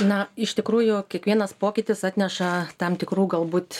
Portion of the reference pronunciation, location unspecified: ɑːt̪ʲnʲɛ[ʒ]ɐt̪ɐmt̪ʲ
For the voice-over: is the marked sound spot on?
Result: no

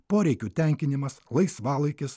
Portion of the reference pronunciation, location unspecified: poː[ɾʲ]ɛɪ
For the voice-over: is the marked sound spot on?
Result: yes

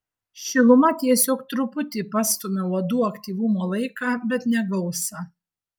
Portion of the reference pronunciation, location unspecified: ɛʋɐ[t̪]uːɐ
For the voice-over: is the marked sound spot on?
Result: no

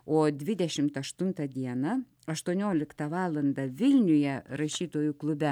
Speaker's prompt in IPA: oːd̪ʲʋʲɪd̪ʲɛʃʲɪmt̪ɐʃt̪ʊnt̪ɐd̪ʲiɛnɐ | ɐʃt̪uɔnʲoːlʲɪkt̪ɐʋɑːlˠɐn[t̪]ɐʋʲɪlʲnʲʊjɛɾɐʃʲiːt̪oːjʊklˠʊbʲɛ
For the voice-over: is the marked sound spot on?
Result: no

